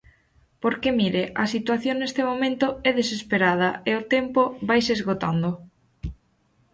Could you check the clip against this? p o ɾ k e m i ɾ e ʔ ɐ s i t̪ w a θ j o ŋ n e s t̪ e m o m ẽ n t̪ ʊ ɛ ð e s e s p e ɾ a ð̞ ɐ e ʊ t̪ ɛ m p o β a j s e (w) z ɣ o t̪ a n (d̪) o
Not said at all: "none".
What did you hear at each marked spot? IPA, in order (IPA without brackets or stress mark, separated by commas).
none, d̪